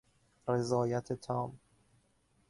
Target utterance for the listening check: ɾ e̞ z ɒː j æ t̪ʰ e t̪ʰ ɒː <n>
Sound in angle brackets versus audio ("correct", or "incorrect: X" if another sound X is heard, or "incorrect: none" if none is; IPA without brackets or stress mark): incorrect: m